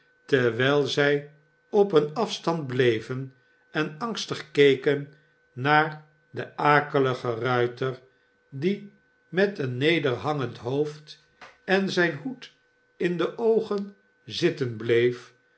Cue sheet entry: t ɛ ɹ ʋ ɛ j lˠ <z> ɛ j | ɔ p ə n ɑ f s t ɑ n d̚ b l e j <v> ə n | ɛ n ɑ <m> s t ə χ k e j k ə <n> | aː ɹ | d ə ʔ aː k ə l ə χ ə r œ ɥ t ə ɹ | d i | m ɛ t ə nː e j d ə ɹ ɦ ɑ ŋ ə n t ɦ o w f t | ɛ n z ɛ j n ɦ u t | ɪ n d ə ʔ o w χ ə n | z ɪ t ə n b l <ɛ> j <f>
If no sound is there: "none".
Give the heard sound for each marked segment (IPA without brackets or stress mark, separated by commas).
z, v, ŋ, nː, e, f